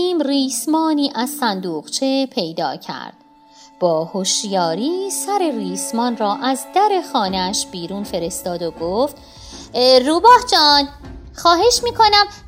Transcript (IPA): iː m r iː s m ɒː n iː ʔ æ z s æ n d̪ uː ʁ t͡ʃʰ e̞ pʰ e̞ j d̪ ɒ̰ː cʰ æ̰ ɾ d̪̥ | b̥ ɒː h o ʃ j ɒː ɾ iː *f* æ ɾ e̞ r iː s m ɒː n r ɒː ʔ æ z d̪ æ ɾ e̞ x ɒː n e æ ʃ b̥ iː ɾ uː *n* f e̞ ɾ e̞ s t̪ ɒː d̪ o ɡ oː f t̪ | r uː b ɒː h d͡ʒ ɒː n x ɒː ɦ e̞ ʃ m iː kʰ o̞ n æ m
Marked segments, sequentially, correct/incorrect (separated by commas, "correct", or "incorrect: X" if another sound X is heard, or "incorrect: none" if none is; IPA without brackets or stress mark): incorrect: s, correct